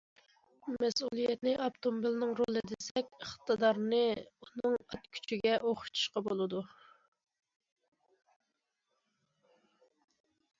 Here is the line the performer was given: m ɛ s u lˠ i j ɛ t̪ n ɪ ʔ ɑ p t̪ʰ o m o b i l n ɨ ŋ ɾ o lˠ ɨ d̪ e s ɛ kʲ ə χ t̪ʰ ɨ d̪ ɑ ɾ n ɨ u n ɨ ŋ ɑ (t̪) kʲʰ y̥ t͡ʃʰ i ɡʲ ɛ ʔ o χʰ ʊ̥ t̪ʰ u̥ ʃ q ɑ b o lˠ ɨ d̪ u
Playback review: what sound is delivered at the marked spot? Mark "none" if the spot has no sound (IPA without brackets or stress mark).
t̪